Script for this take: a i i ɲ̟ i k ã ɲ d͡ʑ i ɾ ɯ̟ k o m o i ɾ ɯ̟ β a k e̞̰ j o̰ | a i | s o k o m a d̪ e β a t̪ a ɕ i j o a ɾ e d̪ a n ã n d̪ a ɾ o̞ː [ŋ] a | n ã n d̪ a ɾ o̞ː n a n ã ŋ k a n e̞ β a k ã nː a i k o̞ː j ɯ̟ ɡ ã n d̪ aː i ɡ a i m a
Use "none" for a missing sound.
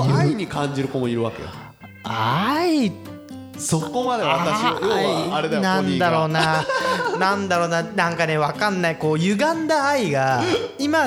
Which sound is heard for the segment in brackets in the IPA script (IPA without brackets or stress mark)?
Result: n